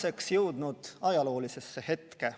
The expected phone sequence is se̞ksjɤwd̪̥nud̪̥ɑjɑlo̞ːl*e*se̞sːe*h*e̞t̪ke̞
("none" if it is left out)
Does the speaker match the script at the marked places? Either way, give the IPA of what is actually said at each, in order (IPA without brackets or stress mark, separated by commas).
i, h